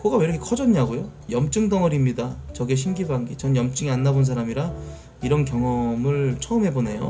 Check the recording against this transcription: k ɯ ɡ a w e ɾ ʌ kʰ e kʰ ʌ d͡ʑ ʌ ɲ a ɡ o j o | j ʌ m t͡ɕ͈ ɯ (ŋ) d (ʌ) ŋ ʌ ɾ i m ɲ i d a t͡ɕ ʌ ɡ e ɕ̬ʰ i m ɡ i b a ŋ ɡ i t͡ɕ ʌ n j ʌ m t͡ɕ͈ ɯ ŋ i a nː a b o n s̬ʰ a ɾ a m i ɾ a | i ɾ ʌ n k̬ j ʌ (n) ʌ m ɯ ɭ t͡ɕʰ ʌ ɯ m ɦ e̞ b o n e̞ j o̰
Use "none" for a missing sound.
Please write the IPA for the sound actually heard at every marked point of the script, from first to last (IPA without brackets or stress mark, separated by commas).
ŋ, ʌ, ŋ